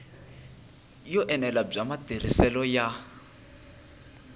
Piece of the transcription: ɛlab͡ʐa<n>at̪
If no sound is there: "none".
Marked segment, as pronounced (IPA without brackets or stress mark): m